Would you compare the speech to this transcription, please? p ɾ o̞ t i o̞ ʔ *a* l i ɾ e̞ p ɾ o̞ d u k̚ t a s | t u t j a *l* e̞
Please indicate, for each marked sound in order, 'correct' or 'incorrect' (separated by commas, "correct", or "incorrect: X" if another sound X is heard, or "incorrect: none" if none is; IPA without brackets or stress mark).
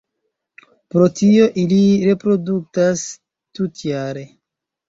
incorrect: i, incorrect: ɾ